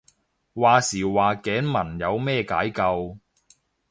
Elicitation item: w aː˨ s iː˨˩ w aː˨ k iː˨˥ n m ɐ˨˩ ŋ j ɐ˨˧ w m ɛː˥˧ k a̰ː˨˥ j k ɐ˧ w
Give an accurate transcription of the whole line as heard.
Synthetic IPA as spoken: w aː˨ s iː˨˩ w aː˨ k ɛː˨˥ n m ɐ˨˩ n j ɐ˨˧ w m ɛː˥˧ k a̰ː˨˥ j k ɐ˧ w